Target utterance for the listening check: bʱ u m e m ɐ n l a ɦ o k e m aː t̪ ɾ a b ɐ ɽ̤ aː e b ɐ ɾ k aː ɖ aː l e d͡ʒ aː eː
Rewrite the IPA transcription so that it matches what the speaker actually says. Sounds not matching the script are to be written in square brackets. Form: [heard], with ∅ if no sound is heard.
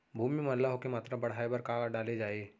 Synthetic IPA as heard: bʱ [uː] m [i] m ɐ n l a ɦ o k e m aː t̪ ɾ a b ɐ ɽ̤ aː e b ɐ ɾ k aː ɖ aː l e d͡ʒ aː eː